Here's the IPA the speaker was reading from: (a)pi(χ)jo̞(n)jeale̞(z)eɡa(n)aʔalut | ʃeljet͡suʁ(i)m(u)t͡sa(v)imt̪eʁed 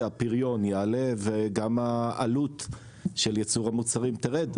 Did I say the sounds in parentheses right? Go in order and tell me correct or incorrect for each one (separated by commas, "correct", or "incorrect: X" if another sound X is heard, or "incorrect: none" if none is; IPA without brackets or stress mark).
correct, incorrect: ʁ, correct, incorrect: v, incorrect: m, incorrect: a, correct, incorrect: ʁ